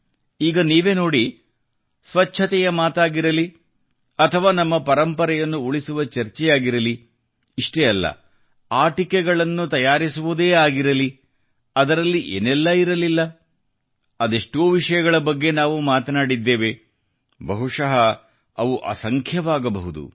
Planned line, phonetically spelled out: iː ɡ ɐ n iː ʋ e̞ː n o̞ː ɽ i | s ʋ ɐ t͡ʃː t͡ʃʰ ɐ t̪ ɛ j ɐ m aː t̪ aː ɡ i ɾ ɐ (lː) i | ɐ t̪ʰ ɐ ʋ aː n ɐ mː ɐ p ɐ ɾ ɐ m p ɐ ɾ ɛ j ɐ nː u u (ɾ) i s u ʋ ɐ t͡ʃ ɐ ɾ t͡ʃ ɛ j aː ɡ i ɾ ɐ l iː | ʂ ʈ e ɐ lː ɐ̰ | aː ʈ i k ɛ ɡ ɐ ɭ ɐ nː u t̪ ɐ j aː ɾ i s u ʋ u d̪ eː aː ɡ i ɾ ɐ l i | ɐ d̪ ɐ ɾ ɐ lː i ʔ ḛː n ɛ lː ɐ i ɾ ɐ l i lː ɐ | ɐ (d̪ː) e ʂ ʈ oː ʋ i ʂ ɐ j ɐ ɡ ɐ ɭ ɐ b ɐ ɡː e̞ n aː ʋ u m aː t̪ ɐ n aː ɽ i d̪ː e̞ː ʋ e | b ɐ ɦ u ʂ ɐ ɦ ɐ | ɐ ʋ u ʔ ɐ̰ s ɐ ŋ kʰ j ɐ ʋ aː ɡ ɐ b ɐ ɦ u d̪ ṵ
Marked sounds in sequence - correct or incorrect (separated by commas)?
incorrect, incorrect, incorrect